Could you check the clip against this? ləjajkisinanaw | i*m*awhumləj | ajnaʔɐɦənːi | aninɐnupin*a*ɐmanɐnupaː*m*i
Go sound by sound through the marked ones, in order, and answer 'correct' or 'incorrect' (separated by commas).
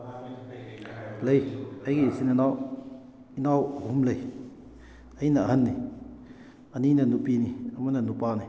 incorrect, incorrect, incorrect